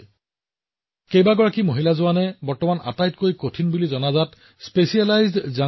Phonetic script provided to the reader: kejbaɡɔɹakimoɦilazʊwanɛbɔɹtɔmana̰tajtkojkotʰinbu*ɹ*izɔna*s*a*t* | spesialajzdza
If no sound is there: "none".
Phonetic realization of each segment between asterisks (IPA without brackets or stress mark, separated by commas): l, z, t